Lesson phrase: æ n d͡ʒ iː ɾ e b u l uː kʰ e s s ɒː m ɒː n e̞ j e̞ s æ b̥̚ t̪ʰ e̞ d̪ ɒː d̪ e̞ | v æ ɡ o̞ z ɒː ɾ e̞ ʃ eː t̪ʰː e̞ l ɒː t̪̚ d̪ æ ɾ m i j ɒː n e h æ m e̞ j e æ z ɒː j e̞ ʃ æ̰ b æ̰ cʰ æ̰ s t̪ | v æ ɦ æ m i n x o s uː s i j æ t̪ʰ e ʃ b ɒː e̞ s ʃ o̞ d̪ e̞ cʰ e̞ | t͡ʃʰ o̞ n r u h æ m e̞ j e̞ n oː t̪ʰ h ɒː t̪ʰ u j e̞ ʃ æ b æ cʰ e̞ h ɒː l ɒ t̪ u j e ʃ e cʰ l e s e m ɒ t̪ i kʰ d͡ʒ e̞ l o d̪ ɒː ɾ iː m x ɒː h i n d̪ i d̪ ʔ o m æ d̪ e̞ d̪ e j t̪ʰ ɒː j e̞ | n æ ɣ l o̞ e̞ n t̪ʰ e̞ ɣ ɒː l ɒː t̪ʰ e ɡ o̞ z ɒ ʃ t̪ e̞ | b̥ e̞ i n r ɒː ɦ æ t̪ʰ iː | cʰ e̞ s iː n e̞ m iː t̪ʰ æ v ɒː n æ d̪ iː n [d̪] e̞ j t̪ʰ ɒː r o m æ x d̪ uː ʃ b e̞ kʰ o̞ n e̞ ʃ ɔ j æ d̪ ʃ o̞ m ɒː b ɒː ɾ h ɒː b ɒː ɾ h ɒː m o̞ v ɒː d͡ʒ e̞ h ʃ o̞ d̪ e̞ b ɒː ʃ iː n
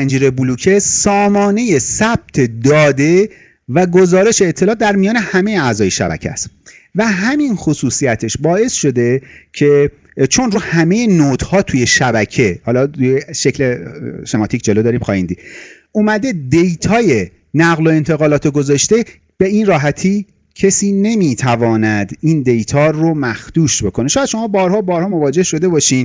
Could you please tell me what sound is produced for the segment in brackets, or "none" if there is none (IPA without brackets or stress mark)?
d̪